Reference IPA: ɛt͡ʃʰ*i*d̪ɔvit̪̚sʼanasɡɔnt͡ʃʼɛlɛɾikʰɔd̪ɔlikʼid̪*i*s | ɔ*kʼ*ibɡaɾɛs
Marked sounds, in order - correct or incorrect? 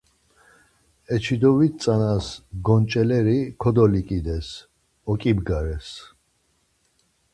correct, incorrect: ɛ, correct

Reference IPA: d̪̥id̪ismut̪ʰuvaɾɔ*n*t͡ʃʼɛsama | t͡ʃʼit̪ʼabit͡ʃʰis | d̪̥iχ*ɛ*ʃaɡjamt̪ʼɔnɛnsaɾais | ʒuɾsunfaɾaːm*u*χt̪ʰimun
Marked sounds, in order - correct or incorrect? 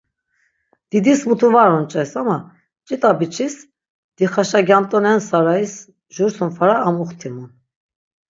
correct, incorrect: a, correct

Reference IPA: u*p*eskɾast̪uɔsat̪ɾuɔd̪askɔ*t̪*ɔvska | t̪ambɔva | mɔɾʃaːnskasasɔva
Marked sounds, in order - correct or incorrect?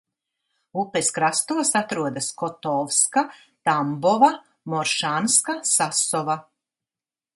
correct, correct

